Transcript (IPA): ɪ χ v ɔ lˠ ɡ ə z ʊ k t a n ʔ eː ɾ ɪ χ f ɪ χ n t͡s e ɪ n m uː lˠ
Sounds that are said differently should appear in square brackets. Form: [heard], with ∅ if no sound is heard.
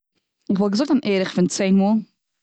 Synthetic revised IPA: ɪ χ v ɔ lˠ ɡ ə z ʊ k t a n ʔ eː ɾ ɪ χ f ɪ [∅] n t͡s e ɪ n m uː lˠ